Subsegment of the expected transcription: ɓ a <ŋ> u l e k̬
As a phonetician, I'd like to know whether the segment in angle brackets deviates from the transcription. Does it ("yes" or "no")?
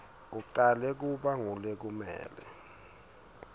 no